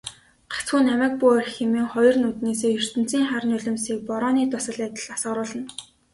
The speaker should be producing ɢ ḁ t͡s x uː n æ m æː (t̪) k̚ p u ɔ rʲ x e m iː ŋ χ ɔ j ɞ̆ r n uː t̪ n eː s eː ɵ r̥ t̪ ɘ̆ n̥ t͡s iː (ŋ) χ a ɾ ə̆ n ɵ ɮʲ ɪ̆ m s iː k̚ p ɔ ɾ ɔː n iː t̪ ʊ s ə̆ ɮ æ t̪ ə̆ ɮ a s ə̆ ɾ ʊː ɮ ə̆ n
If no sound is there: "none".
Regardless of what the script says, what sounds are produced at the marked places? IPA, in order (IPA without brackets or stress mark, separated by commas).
none, ŋ